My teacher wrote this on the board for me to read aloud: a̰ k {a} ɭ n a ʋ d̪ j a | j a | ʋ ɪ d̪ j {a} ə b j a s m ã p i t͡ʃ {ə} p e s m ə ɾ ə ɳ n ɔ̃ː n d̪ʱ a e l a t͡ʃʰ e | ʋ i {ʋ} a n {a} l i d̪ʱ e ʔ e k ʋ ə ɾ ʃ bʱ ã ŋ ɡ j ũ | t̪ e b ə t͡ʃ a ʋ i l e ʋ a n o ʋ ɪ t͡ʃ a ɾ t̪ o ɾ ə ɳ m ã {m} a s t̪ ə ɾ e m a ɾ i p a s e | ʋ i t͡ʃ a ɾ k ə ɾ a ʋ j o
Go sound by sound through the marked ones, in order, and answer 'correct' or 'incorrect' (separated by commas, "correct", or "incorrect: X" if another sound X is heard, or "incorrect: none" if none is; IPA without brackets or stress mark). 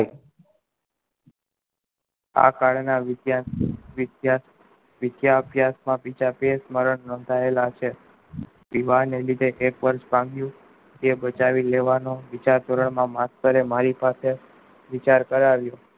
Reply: correct, correct, incorrect: a, correct, incorrect: e, correct